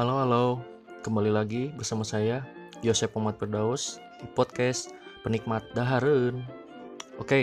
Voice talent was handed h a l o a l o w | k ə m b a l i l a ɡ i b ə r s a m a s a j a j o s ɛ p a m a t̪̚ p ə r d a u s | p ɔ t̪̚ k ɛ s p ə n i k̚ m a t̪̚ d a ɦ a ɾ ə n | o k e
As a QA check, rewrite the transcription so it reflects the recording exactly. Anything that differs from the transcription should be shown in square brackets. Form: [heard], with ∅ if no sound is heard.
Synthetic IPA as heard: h a l o a l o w | k ə m b a l i l a ɡ i b ə r s a m a s a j a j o s ɛ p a m a t̪̚ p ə r d a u s | p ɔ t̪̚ k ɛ s p ə n i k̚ m a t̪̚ d a ɦ a ɾ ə n | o k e